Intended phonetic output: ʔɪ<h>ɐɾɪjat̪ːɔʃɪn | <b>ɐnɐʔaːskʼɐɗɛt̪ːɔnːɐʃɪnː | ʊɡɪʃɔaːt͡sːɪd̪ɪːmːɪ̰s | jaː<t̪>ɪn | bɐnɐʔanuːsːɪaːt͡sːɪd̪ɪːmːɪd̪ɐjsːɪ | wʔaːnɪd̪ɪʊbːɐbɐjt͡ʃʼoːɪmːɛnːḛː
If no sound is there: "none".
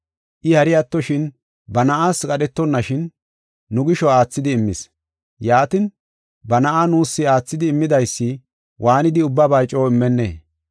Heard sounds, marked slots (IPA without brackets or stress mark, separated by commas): h, b, t̪